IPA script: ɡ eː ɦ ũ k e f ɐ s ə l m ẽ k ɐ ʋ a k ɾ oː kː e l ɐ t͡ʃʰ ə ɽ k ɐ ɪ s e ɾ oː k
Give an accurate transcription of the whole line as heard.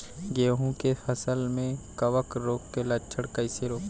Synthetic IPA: ɡ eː ɦ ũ k e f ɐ s ə l m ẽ k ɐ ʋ ə k ɾ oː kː e l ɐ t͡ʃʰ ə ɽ k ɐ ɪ s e ɾ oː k

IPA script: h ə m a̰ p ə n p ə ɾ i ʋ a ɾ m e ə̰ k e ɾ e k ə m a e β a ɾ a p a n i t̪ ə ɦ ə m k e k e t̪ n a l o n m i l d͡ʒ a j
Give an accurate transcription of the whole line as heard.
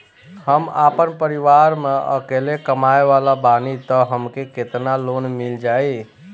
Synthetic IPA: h ə m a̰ p ə n p ə ɾ i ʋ a ɾ m e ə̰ k e l e k ə m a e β a l a b a n i t̪ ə ɦ ə m k e k e t̪ n a l o n m i l d͡ʒ a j

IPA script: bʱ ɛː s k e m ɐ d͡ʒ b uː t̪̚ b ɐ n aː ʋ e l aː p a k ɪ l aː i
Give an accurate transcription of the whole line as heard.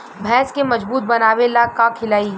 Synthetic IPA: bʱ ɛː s k e m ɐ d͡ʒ b uː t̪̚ b ɐ n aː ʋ e l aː k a kʰ ɪ l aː i

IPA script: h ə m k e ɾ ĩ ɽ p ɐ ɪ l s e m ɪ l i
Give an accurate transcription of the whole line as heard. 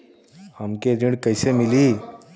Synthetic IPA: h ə m k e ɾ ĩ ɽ k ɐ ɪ s e m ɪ l i

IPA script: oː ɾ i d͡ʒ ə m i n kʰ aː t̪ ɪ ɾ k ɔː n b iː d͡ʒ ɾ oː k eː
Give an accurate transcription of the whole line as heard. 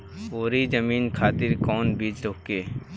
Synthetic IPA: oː ɾ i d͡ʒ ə m iː n kʰ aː t̪ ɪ ɾ k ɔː n b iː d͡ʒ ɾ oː k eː

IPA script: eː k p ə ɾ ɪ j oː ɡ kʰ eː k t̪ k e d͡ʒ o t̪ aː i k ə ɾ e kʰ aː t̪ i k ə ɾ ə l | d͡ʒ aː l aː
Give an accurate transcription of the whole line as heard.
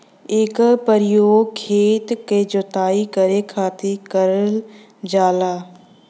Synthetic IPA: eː k p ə ɾ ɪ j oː ɡ kʰ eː t̪ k e d͡ʒ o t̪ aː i k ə ɾ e kʰ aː t̪ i k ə ɾ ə l | d͡ʒ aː l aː

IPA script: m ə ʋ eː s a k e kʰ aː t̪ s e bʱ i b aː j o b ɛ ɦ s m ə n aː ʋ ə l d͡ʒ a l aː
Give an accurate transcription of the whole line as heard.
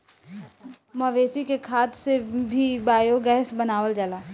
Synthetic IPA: m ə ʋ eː s i k e kʰ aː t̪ s e bʱ i b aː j o ɡ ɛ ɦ s b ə n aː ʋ ə l d͡ʒ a l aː

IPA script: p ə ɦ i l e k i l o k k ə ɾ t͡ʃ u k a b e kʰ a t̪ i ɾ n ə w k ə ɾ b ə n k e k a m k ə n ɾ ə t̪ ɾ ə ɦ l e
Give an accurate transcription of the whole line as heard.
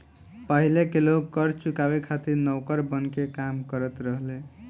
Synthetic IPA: p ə ɦ i l e k e l o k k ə ɾ t͡ʃ u k a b e kʰ a t̪ i ɾ n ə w k ə ɾ b ə n k e k a m k ə ɾ ə t̪ ɾ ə ɦ l e

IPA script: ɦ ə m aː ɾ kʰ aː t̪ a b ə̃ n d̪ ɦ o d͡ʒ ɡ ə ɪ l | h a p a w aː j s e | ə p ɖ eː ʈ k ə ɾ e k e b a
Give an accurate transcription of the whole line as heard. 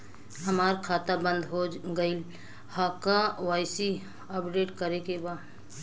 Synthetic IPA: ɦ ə m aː ɾ kʰ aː t̪ a b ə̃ n d̪ ɦ o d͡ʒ ɡ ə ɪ l | h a k a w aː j s i | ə p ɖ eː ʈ k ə ɾ e k e b a

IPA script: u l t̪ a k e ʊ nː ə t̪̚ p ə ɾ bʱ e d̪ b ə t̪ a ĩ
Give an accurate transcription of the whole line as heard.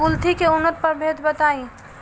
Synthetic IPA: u l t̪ i k e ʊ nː ə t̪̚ p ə ɾ bʱ e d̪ b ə t̪ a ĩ

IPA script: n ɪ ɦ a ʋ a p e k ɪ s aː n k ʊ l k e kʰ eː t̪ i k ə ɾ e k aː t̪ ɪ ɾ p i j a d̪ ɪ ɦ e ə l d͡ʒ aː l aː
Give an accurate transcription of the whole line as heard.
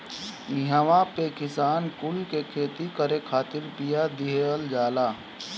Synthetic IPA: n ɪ ɦ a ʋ a p e k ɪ s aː n k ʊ l k e kʰ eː t̪ i k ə ɾ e kʰ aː t̪ ɪ ɾ p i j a d̪ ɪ ɦ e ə l d͡ʒ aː l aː

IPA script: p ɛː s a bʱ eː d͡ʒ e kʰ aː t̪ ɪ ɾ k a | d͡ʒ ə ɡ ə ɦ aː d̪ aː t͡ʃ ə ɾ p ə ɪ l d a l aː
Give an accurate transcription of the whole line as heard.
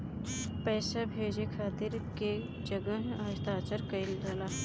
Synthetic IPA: p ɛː s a bʱ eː d͡ʒ e kʰ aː t̪ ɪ ɾ k e | d͡ʒ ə ɡ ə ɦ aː t̪ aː t͡ʃ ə ɾ k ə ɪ l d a l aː

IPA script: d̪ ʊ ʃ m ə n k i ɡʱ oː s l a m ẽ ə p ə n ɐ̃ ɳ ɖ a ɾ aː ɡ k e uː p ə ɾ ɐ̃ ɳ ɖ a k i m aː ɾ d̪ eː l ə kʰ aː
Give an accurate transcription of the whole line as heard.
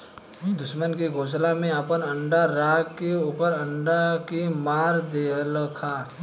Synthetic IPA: d̪ ʊ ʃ m ə n k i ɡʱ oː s l a m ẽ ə p ə n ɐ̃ ɳ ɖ a ɾ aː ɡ k e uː p ə ɾ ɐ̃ ɳ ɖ a k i m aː ɾ d̪ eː l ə kʰ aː

